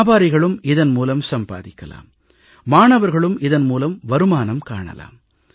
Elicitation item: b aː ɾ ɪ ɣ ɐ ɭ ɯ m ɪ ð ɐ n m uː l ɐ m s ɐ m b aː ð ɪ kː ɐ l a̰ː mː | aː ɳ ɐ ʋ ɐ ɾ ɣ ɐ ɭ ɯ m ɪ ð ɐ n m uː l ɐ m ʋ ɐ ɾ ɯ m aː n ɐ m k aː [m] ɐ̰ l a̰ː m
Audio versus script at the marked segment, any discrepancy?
yes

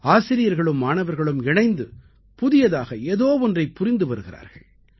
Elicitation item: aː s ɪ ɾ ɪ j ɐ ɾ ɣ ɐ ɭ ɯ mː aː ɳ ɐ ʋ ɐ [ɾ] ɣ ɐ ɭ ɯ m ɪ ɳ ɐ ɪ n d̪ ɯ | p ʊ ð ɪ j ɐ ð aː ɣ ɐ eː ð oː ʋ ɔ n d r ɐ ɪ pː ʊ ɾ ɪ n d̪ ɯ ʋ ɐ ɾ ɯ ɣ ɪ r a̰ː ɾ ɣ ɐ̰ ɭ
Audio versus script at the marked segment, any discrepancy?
no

